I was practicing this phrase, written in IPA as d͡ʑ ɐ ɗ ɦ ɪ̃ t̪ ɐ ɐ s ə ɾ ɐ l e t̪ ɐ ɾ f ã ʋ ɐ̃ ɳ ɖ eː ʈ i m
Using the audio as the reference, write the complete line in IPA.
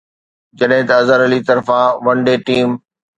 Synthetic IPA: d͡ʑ ɐ ɗ ɦ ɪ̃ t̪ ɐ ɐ z ə ɾ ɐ l i t̪ ɐ ɾ f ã ʋ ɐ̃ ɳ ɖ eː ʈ iː m